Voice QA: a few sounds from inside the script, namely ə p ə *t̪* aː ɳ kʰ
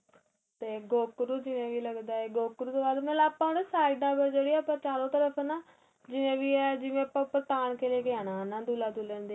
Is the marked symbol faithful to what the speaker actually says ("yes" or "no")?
yes